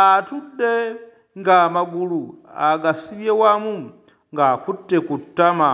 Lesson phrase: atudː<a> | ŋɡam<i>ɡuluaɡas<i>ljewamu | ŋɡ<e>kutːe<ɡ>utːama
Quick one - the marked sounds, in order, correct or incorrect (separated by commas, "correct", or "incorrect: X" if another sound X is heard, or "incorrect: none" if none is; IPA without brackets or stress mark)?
incorrect: e, incorrect: a, correct, incorrect: a, incorrect: k